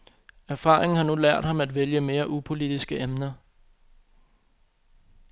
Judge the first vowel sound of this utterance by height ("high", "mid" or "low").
low